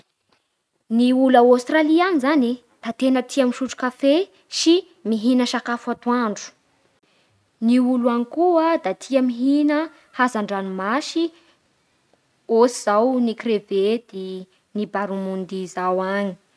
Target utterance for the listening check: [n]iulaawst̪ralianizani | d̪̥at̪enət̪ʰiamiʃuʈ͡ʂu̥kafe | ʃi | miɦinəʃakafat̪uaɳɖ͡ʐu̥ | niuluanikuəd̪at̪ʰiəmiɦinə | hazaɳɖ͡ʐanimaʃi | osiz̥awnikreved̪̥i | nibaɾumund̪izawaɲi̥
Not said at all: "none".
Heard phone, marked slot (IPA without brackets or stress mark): n